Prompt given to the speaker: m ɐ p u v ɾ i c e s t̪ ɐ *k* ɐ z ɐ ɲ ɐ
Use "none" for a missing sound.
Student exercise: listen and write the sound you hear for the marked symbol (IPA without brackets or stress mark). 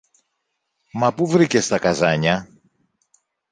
k